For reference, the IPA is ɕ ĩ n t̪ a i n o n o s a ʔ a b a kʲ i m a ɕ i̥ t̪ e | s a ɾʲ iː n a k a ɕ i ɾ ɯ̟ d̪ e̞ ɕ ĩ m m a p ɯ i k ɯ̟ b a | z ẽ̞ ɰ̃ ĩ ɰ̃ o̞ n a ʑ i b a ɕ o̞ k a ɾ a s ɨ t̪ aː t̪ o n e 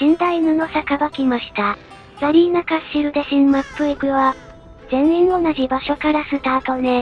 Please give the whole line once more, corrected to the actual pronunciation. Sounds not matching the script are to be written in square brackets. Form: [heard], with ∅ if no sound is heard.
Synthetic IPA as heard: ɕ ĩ n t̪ a i n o n o s a [k] a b a kʲ i m a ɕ i̥ t̪ [a] | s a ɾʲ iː n a k a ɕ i ɾ ɯ̟ d̪ e̞ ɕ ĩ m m a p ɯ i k ɯ̟ [β] a | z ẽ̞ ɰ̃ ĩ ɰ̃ o̞ n a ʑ i b a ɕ o̞ k a ɾ a s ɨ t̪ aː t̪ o n e